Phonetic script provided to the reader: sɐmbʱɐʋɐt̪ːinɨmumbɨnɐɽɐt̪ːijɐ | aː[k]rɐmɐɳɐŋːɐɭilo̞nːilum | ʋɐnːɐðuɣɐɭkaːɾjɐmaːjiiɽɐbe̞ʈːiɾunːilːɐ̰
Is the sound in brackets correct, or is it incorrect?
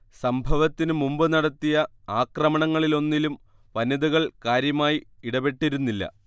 correct